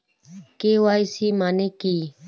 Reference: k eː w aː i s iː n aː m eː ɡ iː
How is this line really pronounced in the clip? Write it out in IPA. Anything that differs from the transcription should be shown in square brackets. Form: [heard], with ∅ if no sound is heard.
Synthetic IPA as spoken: k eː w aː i s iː [m] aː [n] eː [k] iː

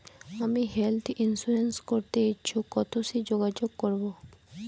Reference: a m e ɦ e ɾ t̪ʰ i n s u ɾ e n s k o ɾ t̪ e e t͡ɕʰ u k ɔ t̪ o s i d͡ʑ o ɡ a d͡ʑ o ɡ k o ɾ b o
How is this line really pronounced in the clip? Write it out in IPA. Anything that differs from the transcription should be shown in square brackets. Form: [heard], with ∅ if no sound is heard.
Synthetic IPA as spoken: a m [i] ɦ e [l] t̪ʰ i n s u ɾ e n s k o ɾ t̪ e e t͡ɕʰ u k ɔ t̪ o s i d͡ʑ o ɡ a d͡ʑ o ɡ k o ɾ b o

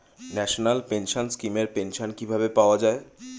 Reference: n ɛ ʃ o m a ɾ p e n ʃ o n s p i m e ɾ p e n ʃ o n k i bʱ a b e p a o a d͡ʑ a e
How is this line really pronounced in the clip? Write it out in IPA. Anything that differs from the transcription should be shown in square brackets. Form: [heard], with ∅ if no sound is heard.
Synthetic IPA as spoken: n ɛ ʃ o [n] a [l] p e n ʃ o n s [k] i m e ɾ p e n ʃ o n k i bʱ a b e p a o a d͡ʑ a e

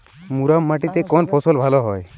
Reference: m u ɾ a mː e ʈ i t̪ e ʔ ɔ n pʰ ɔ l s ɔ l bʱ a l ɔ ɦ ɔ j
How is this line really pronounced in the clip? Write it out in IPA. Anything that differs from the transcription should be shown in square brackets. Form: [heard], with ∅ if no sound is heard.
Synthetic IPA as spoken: m u ɾ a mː [a] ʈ i t̪ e [k] ɔ n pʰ ɔ [∅] s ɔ l bʱ a l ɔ ɦ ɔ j

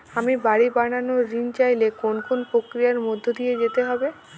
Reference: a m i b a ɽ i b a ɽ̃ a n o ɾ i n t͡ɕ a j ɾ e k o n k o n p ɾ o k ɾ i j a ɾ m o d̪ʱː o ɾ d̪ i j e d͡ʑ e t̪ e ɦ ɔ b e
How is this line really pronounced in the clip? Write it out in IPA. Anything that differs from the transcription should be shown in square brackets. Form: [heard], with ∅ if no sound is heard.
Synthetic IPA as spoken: a m i b a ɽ i b a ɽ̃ a n o ɾ i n t͡ɕ a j [l] e k o n k o n p ɾ o k ɾ i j a ɾ m o d̪ʱː o [∅] d̪ i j e d͡ʑ e t̪ e ɦ ɔ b e

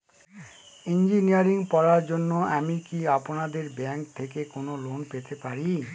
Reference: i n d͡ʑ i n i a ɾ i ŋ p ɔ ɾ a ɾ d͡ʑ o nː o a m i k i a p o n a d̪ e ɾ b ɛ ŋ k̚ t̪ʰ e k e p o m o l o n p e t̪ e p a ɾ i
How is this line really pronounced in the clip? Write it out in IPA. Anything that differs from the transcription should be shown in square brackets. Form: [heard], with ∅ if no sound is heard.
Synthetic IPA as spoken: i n d͡ʑ i n i a ɾ i ŋ p ɔ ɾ a ɾ d͡ʑ o nː o a m i k i a p o n a d̪ e ɾ b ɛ ŋ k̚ t̪ʰ e k e [k] o [n] o l o n p e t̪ e p a ɾ i

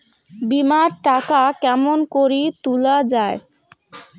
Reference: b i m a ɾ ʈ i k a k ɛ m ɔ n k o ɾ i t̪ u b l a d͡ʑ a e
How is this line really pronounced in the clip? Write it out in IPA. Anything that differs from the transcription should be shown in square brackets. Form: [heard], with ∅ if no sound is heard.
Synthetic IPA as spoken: b i m a ɾ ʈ [a] k a k ɛ m [o] n k o ɾ i t̪ u [∅] l a d͡ʑ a e

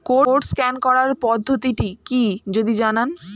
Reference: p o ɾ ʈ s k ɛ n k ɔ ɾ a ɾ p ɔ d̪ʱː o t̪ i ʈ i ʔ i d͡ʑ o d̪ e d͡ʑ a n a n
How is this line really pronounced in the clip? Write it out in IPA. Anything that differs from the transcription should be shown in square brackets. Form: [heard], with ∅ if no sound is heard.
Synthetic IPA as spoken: [k] o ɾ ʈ s k ɛ n k ɔ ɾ a ɾ p ɔ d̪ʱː o t̪ i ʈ i [k] i d͡ʑ o d̪ [i] d͡ʑ a n a n

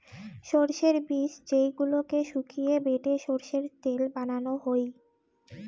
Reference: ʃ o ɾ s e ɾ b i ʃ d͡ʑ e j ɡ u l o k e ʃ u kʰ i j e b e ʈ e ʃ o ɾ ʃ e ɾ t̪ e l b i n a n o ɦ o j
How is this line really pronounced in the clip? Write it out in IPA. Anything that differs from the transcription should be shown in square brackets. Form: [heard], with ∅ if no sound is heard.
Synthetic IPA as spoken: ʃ o ɾ [ʃ] e ɾ b i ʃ d͡ʑ e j ɡ u l o k e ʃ u kʰ i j e b e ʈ e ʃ o ɾ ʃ e ɾ t̪ e l b [a] n a n o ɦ o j

